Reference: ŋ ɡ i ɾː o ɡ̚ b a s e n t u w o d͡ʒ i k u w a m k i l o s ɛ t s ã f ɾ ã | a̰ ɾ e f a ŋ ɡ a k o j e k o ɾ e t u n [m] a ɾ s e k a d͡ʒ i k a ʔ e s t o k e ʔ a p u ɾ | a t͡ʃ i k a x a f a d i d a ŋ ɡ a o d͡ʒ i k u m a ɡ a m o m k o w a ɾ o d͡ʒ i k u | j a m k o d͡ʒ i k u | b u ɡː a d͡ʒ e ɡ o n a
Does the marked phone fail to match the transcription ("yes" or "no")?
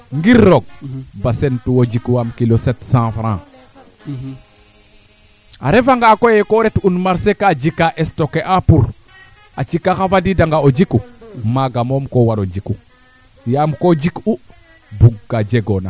no